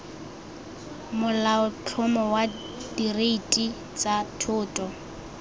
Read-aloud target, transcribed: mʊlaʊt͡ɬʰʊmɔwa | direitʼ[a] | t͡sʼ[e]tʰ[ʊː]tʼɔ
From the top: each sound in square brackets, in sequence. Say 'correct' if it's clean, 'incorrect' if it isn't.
incorrect: i, incorrect: a, correct

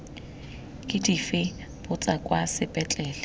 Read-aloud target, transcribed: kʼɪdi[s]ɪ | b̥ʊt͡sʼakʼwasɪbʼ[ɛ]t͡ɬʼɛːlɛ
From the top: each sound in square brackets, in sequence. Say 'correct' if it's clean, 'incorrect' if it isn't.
incorrect: f, correct

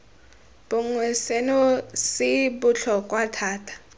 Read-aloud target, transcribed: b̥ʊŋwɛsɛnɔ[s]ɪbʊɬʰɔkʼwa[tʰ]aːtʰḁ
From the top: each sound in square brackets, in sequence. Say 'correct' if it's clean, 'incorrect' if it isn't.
correct, correct

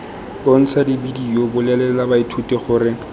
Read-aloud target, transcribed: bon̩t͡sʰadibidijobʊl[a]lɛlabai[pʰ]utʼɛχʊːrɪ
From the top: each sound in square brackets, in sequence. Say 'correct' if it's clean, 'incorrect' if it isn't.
incorrect: ɛ, incorrect: tʰ

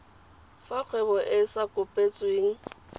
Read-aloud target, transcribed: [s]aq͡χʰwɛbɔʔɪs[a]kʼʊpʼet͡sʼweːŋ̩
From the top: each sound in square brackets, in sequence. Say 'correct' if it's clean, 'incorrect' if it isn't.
incorrect: f, correct

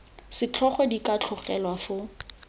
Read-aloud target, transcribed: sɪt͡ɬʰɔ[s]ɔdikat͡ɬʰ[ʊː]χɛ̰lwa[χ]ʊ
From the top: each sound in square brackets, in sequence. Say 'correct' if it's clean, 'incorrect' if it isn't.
incorrect: χ, incorrect: ʊ, incorrect: f

